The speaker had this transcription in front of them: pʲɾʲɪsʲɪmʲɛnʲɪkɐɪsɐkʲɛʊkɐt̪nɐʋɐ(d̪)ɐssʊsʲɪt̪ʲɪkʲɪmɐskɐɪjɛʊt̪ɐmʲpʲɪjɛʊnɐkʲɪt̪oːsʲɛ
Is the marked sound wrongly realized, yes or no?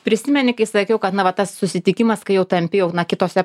yes